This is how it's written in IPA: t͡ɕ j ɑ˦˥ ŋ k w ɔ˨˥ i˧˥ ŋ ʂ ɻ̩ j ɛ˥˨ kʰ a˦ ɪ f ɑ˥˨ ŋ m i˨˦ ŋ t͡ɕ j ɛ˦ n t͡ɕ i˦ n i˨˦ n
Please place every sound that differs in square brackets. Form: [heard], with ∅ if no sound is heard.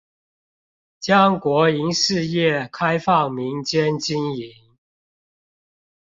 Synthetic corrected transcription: t͡ɕ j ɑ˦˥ ŋ k w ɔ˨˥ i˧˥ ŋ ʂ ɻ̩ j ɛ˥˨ kʰ a˦ ɪ f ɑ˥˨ ŋ m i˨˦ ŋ t͡ɕ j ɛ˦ n t͡ɕ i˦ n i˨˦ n